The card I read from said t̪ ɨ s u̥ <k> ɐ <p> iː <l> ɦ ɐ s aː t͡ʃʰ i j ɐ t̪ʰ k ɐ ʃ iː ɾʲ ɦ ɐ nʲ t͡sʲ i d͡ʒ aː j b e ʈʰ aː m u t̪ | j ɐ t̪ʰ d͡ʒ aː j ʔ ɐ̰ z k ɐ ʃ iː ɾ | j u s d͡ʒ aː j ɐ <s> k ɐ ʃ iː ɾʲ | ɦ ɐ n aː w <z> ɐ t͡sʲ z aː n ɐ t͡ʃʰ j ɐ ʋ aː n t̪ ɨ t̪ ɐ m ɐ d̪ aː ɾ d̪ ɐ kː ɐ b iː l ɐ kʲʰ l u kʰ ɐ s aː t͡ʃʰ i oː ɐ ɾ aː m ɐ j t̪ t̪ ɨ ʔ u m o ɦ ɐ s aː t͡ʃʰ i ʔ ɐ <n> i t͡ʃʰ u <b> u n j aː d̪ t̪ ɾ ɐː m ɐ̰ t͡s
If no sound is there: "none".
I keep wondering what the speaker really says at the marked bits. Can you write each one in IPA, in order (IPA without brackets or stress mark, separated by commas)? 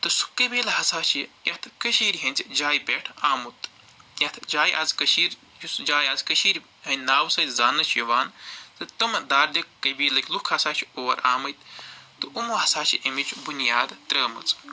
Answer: k, b, l, z, s, m, b